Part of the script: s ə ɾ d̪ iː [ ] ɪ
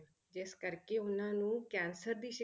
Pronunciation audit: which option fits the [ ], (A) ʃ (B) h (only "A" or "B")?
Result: A